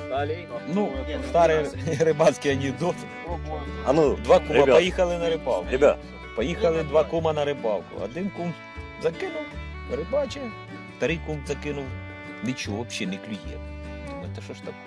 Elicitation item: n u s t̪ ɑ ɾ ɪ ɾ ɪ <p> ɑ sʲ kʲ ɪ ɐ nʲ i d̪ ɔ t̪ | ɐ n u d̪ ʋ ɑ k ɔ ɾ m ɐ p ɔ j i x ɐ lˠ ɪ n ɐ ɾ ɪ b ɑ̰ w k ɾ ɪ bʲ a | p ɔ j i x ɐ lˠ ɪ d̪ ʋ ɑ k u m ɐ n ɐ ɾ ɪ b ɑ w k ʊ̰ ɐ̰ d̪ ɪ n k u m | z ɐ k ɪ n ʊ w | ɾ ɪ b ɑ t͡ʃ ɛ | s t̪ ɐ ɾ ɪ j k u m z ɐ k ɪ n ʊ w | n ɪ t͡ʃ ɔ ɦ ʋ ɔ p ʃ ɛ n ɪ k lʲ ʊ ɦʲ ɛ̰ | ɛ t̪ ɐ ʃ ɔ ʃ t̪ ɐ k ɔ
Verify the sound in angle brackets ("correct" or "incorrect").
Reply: incorrect